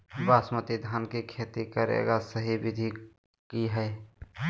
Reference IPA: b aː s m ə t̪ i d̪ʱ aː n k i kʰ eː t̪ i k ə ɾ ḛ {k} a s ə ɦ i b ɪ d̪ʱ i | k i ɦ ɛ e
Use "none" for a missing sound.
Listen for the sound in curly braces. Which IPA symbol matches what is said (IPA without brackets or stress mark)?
ɡ